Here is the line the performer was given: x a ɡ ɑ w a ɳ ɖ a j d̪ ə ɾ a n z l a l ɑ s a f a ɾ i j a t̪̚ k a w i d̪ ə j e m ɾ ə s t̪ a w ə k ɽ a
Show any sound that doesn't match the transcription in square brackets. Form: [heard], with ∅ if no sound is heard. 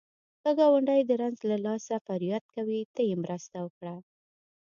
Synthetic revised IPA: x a ɡ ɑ w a ɳ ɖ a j d̪ ə ɾ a n z l a l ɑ s a f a ɾ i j a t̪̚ k a w i [t̪] ə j e m ɾ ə s t̪ a w ə k ɽ a